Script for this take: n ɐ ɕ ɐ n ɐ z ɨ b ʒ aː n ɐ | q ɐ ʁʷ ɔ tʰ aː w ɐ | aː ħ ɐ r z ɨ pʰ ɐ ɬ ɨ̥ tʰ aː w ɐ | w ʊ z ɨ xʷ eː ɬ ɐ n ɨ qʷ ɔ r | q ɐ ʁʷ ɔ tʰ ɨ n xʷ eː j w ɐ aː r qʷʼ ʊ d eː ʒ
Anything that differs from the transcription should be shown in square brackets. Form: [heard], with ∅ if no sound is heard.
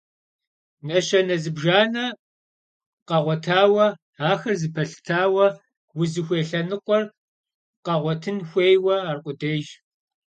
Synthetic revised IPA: n ɐ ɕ ɐ n ɐ z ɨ b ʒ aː n ɐ | q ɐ ʁʷ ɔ tʰ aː w ɐ | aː [x] ɐ r z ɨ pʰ ɐ ɬ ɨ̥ tʰ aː w ɐ | w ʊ z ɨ xʷ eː ɬ ɐ n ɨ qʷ ɔ r | q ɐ ʁʷ ɔ tʰ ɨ n xʷ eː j w ɐ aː r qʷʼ ʊ d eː ʒ